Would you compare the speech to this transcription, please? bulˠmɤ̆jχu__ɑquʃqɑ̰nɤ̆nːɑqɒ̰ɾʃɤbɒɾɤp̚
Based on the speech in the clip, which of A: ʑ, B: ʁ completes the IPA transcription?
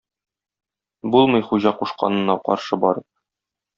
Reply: A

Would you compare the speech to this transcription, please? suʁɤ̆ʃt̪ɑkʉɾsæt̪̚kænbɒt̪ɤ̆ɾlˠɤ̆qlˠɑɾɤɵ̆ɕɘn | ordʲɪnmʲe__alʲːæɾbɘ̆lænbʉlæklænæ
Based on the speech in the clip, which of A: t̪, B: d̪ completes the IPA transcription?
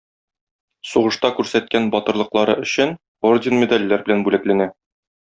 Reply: B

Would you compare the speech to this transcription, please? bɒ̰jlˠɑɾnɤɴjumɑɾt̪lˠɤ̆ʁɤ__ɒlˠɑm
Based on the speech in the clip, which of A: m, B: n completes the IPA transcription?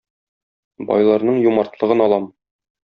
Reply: B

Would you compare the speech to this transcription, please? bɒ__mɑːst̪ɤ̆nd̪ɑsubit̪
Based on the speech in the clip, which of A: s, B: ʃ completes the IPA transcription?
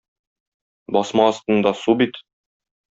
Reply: A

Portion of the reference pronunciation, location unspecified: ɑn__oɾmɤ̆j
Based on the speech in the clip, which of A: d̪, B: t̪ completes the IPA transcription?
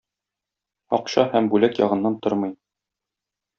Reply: B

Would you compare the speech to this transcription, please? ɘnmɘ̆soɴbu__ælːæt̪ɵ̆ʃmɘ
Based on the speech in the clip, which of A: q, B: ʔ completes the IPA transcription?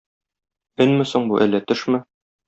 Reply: B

